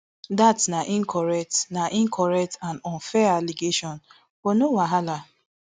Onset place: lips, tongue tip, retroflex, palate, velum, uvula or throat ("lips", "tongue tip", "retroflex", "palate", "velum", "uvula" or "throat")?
tongue tip